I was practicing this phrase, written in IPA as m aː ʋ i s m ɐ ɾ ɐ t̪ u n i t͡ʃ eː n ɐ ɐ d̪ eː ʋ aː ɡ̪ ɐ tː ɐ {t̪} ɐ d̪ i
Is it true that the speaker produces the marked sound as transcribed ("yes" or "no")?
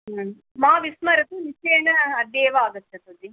yes